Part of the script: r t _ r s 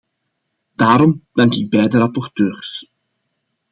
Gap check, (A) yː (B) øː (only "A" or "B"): B